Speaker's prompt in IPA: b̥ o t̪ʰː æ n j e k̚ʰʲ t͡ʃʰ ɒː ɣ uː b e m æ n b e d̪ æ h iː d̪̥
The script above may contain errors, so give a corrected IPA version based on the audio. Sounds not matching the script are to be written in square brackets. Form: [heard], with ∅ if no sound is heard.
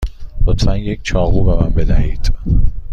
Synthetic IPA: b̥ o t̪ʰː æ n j e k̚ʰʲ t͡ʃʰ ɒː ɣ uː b e m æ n b e d̪ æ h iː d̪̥